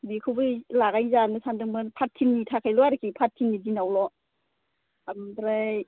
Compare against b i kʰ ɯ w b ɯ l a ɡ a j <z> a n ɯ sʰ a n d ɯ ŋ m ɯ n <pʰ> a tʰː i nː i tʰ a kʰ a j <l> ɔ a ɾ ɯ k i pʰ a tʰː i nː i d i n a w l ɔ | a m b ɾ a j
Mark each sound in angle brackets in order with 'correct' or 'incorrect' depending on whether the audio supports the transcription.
correct, correct, correct

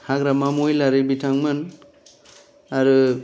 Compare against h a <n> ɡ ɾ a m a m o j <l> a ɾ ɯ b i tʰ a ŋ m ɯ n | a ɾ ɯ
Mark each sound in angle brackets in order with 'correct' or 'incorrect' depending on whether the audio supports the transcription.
incorrect, correct

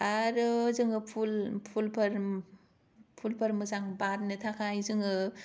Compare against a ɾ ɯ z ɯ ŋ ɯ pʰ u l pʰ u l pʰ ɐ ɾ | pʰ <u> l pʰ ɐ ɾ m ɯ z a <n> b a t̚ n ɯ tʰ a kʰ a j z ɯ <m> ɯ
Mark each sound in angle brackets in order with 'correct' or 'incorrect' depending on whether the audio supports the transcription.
correct, incorrect, incorrect

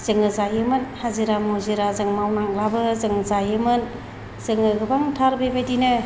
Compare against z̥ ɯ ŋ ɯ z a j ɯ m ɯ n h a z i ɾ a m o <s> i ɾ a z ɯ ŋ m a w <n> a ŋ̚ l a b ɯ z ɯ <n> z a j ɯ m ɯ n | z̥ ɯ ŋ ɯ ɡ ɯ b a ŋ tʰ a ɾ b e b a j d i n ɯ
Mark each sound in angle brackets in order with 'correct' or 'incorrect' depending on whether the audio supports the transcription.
incorrect, correct, incorrect

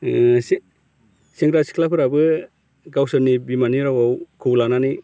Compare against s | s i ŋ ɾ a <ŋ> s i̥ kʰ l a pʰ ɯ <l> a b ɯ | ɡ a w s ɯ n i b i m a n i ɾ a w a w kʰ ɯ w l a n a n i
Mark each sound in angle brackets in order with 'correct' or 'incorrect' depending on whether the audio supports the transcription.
incorrect, incorrect

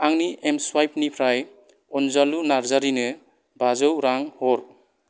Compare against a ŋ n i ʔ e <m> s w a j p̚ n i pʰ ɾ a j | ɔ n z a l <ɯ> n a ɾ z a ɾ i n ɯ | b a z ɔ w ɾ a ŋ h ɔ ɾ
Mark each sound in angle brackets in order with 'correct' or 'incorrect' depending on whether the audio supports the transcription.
correct, incorrect

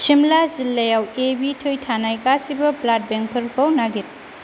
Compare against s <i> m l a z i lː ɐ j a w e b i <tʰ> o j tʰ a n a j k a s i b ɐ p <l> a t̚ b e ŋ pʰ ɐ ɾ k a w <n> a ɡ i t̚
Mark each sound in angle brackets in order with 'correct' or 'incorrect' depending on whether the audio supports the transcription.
correct, correct, correct, correct

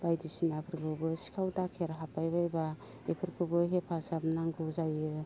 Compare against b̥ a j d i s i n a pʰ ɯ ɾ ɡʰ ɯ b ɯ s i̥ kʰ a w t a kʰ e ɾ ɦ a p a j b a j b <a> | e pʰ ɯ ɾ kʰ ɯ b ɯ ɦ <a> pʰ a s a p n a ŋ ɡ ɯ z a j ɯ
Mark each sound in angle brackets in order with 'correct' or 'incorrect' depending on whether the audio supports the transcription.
correct, incorrect

